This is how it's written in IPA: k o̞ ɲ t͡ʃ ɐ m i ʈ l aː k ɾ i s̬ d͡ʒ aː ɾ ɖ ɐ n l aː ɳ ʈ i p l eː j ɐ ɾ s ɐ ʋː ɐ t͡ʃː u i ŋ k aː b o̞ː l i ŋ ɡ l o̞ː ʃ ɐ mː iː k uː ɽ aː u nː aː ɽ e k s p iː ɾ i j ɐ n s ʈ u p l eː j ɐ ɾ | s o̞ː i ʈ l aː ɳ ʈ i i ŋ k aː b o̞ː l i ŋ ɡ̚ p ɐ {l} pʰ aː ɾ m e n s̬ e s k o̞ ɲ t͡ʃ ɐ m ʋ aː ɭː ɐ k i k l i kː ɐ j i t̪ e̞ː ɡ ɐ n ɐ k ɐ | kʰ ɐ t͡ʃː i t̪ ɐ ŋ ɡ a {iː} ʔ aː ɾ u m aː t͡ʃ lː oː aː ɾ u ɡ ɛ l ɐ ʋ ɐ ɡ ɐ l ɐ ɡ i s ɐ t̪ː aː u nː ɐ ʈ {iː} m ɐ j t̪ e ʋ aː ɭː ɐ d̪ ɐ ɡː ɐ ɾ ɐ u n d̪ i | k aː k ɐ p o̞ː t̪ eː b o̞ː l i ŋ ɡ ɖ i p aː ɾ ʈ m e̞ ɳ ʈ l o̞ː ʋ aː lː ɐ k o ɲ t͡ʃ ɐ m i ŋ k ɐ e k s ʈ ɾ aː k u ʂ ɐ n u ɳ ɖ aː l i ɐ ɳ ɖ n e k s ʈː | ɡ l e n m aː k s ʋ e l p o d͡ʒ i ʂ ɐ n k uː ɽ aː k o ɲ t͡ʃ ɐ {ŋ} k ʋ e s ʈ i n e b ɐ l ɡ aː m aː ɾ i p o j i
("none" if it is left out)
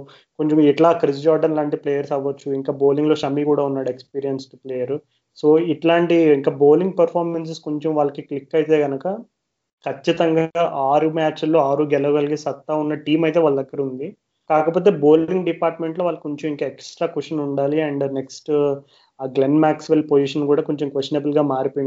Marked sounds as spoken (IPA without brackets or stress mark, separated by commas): ɾ, aː, iː, m